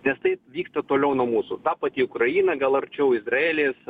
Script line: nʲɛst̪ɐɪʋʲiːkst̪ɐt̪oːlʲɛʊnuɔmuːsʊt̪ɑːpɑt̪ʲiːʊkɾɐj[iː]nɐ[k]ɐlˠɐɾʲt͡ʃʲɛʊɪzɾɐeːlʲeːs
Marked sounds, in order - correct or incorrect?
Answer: correct, incorrect: ɡ

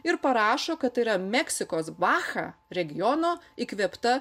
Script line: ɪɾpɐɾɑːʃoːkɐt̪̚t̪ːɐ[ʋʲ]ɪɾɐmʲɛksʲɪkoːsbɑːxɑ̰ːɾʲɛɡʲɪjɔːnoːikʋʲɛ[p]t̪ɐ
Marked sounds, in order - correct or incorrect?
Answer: incorrect: none, correct

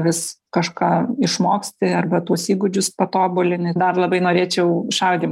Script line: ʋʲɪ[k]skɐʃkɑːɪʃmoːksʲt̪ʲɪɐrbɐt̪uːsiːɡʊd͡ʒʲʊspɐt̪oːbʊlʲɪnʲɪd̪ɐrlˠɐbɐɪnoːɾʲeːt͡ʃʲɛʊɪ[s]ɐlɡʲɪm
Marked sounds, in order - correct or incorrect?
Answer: incorrect: none, incorrect: ʃ

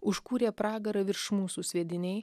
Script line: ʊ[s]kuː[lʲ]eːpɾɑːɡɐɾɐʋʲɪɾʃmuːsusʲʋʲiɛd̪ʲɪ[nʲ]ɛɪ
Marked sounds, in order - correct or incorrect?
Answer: incorrect: ʃ, incorrect: ɾʲ, correct

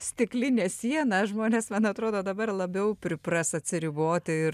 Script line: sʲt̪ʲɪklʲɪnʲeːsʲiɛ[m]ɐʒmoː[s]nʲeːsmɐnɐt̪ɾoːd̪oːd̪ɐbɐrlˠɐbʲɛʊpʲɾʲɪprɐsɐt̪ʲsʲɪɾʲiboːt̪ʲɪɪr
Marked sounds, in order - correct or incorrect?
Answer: incorrect: n, incorrect: none

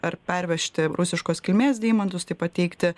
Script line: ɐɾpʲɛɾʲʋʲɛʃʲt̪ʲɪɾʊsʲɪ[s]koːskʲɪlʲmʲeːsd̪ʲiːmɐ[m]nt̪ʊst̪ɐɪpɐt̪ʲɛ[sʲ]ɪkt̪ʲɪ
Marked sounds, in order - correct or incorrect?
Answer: incorrect: ʃ, incorrect: none, incorrect: none

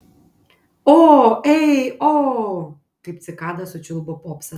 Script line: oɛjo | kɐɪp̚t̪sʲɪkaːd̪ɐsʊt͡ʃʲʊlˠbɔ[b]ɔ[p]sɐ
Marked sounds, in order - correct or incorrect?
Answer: incorrect: p, correct

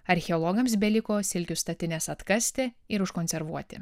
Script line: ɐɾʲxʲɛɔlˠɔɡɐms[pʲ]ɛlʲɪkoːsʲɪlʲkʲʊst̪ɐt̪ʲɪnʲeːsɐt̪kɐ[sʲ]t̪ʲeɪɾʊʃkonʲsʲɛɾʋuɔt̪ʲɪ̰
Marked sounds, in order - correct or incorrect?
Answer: incorrect: bʲ, correct

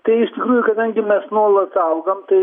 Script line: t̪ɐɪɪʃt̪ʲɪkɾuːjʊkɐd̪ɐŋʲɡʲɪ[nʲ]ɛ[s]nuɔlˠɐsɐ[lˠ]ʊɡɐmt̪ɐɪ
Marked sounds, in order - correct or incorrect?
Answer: incorrect: mʲ, correct, incorrect: none

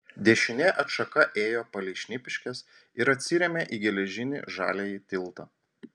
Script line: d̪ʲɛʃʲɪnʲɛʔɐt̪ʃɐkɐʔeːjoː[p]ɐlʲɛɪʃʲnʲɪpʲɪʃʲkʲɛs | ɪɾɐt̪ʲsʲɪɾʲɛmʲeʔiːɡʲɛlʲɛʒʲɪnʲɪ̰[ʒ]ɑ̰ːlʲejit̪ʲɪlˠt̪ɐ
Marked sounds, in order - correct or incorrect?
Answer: correct, correct

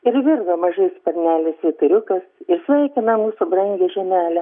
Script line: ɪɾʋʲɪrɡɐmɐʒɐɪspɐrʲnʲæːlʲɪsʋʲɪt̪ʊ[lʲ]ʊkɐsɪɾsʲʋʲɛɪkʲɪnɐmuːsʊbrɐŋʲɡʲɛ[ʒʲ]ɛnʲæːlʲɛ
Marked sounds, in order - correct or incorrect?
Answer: incorrect: ɾʲ, correct

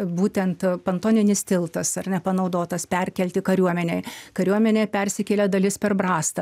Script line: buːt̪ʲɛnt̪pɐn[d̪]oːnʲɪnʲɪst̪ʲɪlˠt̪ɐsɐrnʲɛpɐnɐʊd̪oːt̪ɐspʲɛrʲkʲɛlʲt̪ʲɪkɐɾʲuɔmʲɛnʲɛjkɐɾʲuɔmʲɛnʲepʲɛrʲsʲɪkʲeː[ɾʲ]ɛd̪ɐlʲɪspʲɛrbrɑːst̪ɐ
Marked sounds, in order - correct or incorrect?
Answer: incorrect: t̪, incorrect: lʲ

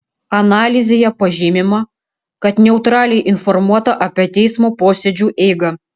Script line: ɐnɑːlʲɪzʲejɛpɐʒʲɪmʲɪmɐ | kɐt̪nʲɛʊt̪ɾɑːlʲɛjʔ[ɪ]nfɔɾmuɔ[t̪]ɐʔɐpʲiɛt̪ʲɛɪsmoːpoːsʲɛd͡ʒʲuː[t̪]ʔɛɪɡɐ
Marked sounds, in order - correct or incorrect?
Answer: correct, correct, incorrect: none

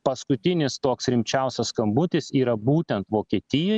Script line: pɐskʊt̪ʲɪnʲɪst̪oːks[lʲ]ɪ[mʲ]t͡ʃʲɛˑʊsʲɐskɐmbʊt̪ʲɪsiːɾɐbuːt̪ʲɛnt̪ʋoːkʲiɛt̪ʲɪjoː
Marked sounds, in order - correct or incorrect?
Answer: incorrect: ɾʲ, correct

